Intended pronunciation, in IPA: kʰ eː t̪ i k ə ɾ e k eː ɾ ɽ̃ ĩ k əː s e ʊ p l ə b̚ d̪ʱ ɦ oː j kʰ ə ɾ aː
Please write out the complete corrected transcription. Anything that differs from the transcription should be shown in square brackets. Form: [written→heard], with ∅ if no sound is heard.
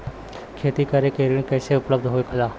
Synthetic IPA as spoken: kʰ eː t̪ i k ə ɾ e k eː ɾ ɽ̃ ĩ k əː s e ʊ p l ə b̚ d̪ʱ ɦ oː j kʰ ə [ɾ→l] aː